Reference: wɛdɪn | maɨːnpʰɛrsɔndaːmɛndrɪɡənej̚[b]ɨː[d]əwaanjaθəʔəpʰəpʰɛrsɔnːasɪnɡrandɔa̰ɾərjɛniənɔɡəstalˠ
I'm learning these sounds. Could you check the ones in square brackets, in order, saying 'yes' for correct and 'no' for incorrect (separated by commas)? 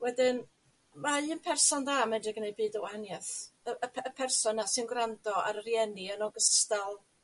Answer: yes, yes